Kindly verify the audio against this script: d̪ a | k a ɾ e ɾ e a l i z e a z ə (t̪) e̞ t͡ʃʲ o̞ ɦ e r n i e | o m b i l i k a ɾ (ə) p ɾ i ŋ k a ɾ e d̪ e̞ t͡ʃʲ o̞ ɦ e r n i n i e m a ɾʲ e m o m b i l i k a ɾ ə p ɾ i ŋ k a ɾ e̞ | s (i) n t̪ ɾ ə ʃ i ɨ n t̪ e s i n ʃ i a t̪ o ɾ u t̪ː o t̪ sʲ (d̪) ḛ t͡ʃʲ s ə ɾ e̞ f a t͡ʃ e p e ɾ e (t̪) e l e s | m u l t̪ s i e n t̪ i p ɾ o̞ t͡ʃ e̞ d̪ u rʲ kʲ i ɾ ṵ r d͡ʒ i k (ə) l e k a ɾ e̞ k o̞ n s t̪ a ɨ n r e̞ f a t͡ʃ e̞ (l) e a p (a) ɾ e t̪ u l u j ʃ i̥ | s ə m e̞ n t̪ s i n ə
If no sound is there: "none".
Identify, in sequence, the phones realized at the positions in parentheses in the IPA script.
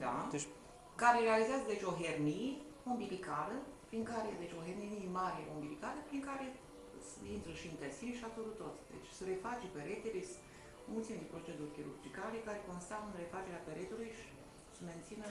d̪, ə, i, d̪, t̪, a, ɾ, e

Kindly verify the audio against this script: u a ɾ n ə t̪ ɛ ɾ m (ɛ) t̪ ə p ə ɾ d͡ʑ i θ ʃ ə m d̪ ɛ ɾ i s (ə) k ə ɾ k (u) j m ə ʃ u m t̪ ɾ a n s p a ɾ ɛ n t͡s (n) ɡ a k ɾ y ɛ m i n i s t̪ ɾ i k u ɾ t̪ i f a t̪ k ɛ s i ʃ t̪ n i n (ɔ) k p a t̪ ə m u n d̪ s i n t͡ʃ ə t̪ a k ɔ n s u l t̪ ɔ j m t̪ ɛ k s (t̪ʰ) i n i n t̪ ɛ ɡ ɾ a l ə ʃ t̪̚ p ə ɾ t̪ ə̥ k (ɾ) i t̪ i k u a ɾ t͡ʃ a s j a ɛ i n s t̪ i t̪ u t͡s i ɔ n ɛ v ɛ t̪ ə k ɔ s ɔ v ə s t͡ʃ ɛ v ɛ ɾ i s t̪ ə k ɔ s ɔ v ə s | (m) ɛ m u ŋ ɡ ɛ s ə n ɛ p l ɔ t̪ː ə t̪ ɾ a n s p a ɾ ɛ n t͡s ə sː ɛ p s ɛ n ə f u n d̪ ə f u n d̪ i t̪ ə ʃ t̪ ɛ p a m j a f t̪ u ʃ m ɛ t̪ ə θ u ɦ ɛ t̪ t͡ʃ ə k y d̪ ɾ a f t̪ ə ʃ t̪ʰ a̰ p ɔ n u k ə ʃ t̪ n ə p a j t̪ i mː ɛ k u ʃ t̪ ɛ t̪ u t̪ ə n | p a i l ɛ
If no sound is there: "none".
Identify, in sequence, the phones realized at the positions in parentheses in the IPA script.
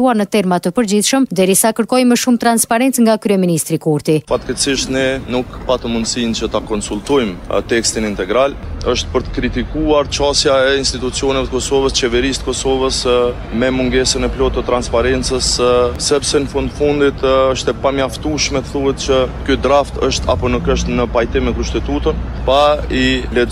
a, a, ɔ, ŋ, u, t̪, ɾ, m

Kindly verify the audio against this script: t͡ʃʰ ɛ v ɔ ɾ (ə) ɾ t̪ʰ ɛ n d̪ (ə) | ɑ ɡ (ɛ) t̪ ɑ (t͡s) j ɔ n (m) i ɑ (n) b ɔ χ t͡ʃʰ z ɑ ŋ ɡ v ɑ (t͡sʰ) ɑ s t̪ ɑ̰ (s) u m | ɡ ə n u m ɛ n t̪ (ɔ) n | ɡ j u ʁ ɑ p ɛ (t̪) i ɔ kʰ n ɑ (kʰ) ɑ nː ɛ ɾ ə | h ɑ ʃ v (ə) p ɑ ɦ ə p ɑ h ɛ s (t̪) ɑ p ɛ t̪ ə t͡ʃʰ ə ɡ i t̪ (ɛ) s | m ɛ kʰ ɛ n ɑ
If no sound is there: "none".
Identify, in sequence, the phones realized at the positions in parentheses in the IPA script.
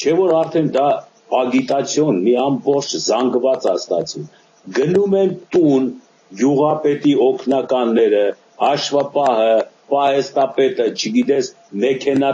ɑ, ɑ, i, t͡sʰ, m, m, t͡s, t͡s, u, t̪, k, ɑ, t̪, ɛ

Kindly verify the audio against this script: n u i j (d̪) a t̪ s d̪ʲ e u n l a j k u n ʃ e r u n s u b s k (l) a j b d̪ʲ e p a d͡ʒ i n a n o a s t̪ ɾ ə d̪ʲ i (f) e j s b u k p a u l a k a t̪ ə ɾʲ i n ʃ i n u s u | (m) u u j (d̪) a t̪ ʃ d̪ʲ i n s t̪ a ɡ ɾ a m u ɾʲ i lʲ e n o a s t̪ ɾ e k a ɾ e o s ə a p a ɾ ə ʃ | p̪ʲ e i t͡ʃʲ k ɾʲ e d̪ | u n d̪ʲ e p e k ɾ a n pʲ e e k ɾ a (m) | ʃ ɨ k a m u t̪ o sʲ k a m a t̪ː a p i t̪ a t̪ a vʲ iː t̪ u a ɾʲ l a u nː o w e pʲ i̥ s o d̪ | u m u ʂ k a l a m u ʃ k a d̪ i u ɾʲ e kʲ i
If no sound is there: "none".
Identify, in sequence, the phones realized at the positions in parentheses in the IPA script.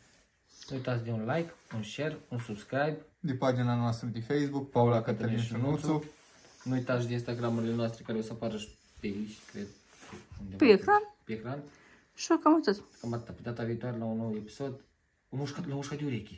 t̪, ɾ, f, n, t̪, n

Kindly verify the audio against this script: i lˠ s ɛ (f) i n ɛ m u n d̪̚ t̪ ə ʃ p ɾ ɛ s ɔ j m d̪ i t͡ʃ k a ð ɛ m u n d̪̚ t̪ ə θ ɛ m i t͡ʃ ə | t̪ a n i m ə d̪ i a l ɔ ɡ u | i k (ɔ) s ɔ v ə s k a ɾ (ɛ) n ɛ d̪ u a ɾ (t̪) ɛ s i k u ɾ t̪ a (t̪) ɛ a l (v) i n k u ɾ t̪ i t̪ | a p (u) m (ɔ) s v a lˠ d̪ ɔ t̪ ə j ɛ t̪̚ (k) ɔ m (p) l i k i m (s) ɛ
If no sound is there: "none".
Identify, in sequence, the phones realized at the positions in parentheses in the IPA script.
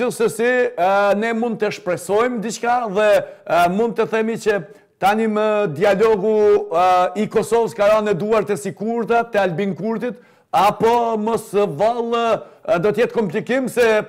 s, ɔ, a, t̪, t̪, b, ɔ, ɔ, k, p, s

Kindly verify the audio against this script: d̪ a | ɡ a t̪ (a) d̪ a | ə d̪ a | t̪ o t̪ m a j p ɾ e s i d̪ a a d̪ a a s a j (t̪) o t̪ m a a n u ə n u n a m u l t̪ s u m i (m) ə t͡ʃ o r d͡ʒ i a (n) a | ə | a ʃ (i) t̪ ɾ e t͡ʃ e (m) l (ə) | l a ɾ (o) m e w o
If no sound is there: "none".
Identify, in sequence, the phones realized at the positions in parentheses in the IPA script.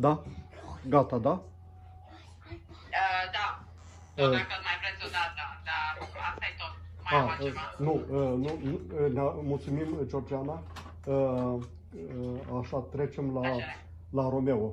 a, t̪, m, n, a, m, a, o

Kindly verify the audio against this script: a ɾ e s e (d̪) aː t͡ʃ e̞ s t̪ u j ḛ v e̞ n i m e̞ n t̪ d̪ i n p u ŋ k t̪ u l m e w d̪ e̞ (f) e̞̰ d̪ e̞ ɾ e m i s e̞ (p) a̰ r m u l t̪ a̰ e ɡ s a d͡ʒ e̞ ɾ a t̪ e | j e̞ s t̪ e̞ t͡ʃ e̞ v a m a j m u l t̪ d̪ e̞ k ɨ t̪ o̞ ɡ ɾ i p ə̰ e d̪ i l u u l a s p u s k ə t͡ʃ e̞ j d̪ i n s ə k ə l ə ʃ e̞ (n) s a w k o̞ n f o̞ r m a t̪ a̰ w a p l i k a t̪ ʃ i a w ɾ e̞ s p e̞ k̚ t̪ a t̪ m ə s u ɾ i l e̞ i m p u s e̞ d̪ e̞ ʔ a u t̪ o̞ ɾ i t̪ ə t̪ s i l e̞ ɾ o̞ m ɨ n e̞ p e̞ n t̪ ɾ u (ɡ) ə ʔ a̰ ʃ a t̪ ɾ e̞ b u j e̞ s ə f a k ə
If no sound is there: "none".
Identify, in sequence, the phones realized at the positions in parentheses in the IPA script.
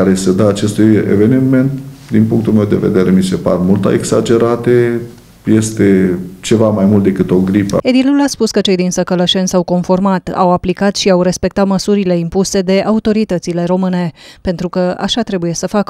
d̪, v, p, n, k

